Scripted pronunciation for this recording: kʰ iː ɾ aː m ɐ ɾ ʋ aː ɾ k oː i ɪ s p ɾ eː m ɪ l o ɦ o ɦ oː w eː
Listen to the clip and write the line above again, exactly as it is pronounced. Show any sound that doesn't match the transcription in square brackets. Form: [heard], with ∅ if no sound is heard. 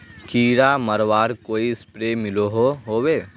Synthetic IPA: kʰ iː ɾ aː m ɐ ɾ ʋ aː ɾ k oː i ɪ s p ɾ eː m ɪ l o ɦ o ɦ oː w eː